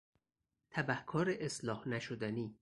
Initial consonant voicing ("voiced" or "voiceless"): voiceless